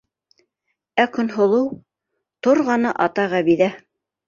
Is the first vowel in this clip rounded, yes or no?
no